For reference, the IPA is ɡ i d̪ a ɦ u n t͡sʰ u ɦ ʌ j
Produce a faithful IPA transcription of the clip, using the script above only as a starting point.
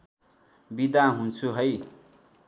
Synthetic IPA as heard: b i d̪ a ɦ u n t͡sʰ u ɦ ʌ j